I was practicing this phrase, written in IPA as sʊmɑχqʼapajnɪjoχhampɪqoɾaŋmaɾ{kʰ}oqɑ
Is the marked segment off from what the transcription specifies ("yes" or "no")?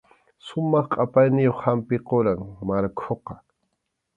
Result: no